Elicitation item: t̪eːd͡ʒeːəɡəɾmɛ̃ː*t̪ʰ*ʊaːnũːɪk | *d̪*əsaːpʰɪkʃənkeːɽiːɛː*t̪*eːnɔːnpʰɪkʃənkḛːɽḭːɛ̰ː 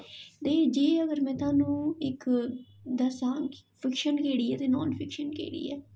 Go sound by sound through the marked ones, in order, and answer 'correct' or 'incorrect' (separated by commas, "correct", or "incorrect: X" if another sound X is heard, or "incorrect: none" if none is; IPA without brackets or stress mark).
incorrect: t̪, correct, correct